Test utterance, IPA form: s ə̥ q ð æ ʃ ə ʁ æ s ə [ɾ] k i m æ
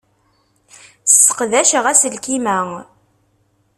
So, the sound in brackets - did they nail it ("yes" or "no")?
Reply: no